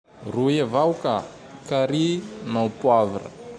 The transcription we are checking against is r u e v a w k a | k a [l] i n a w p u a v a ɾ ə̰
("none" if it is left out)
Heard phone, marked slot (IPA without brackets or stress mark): ɾ